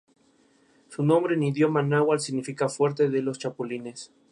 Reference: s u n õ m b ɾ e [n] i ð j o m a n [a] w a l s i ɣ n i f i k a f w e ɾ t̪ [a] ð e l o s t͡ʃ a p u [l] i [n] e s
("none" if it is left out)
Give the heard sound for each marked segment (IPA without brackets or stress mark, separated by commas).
n, a, e, l, n